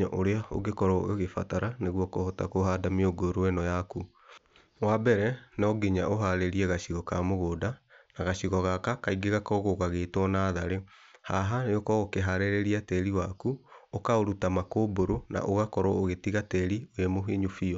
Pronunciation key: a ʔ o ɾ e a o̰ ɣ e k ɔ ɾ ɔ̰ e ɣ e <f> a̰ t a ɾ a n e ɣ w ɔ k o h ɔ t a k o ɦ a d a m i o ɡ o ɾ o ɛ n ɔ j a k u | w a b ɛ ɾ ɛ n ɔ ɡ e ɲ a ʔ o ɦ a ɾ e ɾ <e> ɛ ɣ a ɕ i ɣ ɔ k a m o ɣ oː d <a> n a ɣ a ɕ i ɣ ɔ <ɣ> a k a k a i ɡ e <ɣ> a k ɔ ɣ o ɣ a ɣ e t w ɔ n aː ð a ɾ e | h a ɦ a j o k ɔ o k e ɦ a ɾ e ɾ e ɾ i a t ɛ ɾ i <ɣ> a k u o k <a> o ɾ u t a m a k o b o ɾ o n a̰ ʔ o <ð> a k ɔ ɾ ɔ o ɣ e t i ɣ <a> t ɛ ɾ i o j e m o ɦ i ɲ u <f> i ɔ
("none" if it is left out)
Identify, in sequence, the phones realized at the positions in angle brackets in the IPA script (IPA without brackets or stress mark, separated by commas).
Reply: f, i, a, ɣ, ɣ, w, a, ɣ, a, f